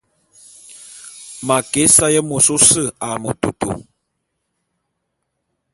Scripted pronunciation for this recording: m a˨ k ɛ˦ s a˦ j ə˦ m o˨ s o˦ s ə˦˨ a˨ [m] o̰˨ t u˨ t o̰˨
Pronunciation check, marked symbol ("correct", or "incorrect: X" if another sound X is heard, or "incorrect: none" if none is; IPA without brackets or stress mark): correct